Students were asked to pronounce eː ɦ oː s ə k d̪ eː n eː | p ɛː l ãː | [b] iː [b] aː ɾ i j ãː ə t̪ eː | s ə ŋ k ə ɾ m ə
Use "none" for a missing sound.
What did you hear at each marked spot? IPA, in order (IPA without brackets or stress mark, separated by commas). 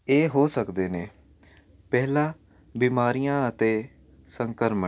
b, m